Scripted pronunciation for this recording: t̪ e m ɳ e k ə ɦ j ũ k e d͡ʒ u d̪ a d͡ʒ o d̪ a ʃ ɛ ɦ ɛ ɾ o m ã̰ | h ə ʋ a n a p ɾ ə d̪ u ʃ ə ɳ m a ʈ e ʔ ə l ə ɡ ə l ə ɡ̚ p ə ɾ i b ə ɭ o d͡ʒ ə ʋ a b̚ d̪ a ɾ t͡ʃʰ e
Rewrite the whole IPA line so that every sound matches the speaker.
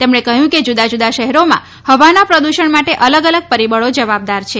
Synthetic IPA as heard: t̪ e m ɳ e k ə ɦ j ũ k e d͡ʒ u d̪ a d͡ʒ u d̪ a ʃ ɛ ɦ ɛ ɾ o m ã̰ | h ə ʋ a n a p ɾ ə d̪ u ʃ ə ɳ m a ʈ e ʔ ə l ə ɡ ə l ə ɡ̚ p ə ɾ i b ə ɭ o d͡ʒ ə ʋ a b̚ d̪ a ɾ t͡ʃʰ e

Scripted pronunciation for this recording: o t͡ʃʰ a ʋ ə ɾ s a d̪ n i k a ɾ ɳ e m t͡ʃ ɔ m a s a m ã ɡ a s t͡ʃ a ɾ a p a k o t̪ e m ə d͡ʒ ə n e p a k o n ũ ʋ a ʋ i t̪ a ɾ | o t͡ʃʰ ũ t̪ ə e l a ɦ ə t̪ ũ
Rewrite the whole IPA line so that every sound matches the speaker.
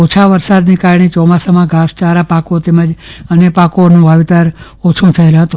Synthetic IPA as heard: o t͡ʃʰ a ʋ ə ɾ s a d̪ n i k a ɾ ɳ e t͡ʃ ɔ m a s a m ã ɡ a s t͡ʃ a ɾ a p a k o t̪ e m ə d͡ʒ ə n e p a k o n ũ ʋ a ʋ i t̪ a ɾ | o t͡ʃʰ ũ t̪ʰ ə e l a ɦ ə t̪ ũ

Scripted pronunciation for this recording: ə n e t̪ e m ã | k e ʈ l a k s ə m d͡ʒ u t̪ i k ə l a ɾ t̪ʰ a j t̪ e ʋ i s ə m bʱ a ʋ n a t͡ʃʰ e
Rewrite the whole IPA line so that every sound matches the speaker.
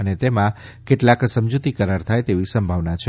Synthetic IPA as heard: ə n e t̪ e m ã | k e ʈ l a k s ə m d͡ʒ u t̪ i k ə ɾ a ɾ t̪ʰ a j t̪ e ʋ i s ə m bʱ a ʋ n a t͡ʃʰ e

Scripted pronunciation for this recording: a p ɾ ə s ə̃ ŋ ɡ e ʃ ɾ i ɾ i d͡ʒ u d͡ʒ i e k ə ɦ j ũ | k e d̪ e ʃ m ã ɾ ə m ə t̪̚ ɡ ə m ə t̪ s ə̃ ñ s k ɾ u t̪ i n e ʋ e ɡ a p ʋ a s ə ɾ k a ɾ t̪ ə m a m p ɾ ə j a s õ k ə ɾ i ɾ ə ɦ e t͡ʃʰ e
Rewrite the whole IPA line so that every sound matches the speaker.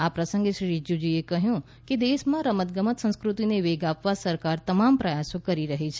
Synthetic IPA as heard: a p ɾ ə s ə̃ ŋ ɡ e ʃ ɾ i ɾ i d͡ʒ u d͡ʒ i e k ə ɦ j ũ | k e d̪ e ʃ m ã ɾ ə m ə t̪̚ ɡ ə m ə t̪ s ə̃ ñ s k ɾ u t̪ i n e ʋ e ɡ a p ʋ a s ə ɾ k a ɾ t̪ ə m a m p ɾ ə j a s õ k ə ɾ i ɾ ə ɦ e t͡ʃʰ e

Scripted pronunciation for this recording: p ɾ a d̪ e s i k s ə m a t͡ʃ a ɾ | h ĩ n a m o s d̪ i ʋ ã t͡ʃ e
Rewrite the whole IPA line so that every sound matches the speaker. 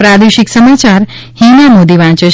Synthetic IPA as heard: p ɾ a d̪ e ʃ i k s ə m a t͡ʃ a ɾ | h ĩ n a m o d̪ i ʋ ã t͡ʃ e

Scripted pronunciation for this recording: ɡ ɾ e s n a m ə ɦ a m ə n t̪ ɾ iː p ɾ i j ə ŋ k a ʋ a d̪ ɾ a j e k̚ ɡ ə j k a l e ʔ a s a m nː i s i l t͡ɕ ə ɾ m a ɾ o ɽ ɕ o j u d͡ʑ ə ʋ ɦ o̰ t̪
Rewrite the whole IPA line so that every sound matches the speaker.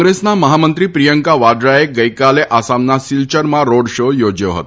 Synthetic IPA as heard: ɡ ɾ e s n a m ə ɦ a m ə n t̪ ɾ iː p ɾ i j ə ŋ k a ʋ a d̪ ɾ a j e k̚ ɡ ə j k a l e ʔ a s a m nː a s i l t͡ɕ ə ɾ m a ɾ o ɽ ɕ o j o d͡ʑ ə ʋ ɦ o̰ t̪

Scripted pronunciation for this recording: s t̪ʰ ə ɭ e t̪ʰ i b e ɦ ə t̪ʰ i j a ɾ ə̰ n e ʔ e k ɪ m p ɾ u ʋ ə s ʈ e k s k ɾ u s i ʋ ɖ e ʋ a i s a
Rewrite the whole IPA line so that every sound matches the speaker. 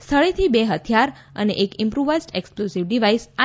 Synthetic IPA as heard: s t̪ʰ ə ɭ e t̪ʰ i b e ɦ ə t̪ʰ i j a ɾ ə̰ n e ʔ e k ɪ m p ɾ u ʋ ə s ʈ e k s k l u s i ʋ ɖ i ʋ a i s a

